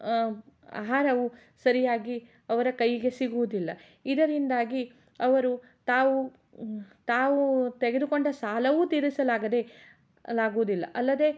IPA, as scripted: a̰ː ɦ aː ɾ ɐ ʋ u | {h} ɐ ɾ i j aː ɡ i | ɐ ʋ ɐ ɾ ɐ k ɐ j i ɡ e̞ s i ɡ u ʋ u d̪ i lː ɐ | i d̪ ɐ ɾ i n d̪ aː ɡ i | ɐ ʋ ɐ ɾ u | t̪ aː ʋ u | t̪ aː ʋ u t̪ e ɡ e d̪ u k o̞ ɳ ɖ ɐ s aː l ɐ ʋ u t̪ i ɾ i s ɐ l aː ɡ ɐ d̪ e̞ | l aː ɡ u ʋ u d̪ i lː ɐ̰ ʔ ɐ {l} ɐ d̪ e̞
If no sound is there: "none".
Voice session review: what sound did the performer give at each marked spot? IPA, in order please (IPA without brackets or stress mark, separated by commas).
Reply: s, lː